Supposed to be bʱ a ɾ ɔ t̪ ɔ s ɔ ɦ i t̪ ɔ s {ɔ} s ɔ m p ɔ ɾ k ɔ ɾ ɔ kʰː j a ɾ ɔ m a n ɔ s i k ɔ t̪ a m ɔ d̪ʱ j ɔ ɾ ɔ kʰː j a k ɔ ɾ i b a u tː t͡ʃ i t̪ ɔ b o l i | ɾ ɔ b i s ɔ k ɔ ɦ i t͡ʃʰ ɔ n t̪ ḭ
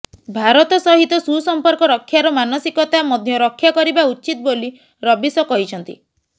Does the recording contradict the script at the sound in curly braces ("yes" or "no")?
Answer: yes